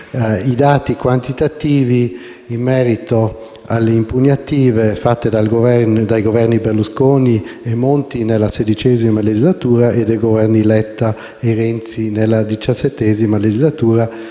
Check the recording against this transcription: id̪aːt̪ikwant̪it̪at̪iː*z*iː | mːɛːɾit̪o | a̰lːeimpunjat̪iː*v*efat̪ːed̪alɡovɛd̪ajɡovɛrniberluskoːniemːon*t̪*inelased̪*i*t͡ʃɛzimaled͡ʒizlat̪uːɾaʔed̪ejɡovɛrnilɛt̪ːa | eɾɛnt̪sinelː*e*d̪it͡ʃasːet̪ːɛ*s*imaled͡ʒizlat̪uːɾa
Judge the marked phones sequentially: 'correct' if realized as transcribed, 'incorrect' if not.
incorrect, correct, correct, correct, incorrect, incorrect

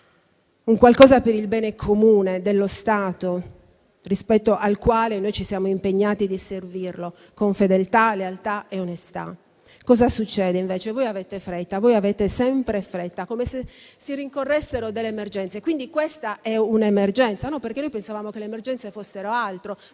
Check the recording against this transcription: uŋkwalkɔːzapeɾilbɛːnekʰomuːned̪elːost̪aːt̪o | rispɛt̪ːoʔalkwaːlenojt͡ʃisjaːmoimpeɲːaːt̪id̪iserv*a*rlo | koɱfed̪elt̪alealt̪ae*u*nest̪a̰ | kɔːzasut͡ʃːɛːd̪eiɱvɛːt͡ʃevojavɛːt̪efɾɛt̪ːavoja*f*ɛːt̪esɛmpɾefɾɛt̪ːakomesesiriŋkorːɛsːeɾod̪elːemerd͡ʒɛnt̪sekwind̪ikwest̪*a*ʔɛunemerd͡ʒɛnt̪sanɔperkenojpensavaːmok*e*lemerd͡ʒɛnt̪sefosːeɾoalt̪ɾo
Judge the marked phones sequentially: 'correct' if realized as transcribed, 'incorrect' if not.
incorrect, incorrect, incorrect, correct, correct

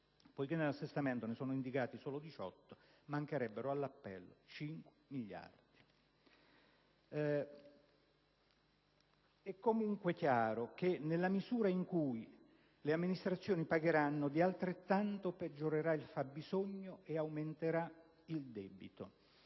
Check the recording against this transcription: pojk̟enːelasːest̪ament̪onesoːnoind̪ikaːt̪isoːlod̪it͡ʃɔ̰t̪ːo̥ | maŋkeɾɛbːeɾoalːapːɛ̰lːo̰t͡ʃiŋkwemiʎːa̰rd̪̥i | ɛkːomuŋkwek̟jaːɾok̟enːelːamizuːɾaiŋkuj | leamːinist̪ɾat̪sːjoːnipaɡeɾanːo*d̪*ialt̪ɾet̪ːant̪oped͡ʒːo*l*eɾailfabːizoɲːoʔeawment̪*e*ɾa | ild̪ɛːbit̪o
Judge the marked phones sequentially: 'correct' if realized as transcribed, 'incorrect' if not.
correct, incorrect, correct

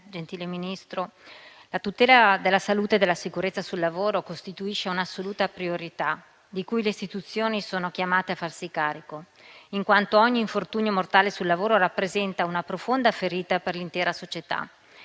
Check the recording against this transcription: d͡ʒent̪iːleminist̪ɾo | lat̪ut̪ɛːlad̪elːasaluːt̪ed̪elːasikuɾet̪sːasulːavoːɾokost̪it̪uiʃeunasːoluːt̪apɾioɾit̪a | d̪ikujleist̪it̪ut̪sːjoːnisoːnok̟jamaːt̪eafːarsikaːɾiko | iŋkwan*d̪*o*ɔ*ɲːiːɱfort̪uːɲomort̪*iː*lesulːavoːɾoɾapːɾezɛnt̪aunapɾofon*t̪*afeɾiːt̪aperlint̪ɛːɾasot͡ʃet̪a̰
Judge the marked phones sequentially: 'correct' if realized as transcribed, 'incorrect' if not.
incorrect, correct, incorrect, incorrect

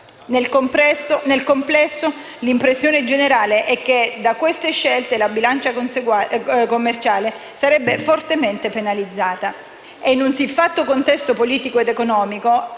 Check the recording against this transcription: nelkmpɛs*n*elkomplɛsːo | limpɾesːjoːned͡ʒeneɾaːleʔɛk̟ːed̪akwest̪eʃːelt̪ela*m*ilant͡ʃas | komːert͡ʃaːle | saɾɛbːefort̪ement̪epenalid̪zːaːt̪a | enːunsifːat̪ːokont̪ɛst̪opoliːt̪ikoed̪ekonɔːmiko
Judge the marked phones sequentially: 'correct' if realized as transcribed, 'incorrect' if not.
correct, incorrect

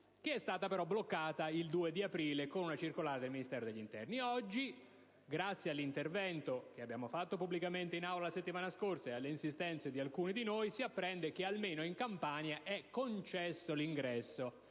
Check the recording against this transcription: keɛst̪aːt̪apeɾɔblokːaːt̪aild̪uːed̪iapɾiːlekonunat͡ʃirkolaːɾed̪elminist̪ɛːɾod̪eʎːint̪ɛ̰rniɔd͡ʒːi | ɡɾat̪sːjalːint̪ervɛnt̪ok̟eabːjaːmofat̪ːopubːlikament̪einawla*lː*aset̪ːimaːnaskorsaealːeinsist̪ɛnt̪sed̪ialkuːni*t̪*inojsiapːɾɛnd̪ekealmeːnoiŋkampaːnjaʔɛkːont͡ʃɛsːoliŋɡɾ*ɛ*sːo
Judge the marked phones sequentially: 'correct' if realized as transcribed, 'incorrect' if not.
incorrect, incorrect, correct

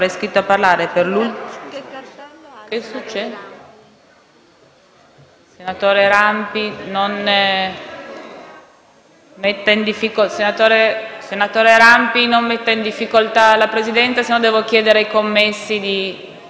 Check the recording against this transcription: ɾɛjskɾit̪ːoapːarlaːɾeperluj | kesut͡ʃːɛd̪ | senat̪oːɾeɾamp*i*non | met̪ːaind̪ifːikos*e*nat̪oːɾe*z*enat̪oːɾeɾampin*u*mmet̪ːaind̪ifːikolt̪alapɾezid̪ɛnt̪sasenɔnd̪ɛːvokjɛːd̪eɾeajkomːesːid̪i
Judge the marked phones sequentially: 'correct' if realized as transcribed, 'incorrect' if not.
correct, correct, incorrect, incorrect

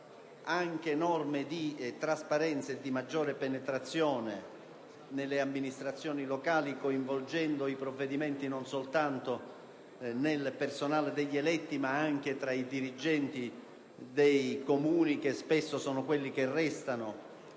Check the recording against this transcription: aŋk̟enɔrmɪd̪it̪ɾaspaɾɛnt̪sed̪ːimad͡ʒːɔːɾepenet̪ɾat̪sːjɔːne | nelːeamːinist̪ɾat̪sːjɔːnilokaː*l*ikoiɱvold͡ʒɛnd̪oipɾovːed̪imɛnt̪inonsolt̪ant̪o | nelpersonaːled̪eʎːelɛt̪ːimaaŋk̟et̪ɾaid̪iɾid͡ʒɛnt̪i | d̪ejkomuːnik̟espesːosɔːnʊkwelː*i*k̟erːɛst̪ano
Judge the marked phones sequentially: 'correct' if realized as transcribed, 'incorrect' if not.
correct, correct

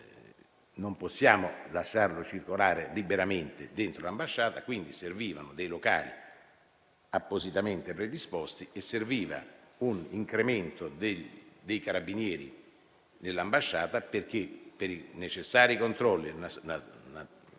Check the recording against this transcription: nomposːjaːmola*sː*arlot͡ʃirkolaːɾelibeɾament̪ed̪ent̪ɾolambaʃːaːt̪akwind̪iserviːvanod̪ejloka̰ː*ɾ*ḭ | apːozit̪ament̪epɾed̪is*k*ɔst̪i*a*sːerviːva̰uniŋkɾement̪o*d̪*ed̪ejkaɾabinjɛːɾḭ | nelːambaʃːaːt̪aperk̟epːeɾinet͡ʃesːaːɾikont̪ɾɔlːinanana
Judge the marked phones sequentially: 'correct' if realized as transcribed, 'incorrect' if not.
incorrect, incorrect, incorrect, incorrect, correct

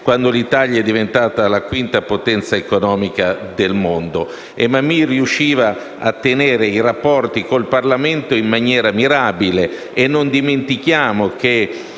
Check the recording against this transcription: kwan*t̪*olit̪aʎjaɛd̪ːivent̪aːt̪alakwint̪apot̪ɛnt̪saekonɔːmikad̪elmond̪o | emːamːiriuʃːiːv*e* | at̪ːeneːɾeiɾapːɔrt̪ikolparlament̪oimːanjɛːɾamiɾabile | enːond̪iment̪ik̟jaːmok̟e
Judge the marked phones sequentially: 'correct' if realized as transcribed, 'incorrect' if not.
incorrect, incorrect

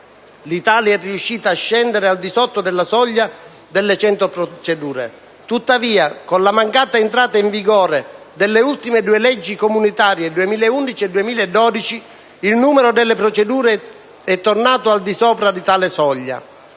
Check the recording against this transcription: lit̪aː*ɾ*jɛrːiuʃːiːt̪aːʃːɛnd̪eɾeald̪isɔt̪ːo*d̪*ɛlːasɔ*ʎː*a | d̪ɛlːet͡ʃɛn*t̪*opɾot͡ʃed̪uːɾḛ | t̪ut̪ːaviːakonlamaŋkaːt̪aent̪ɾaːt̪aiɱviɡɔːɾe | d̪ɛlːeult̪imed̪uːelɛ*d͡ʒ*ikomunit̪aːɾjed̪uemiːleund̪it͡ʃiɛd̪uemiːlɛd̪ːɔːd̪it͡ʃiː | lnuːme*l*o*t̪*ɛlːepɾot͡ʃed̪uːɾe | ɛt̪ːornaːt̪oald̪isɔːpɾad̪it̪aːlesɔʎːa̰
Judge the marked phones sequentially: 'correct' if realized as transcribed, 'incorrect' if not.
incorrect, correct, correct, correct, incorrect, incorrect, incorrect

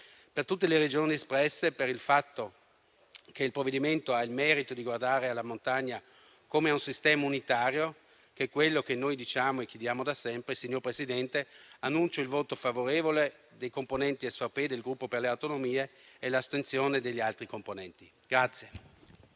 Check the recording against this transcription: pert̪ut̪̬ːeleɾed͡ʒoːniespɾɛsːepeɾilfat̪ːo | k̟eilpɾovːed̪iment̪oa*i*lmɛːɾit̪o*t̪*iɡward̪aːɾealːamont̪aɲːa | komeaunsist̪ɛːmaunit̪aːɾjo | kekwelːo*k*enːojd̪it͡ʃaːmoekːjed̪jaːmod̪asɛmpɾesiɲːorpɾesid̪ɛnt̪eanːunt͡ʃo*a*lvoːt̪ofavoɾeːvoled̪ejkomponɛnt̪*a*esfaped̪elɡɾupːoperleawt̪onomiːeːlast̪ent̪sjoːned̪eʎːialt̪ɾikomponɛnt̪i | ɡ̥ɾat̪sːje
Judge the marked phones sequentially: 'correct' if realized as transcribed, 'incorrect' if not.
correct, incorrect, correct, incorrect, incorrect

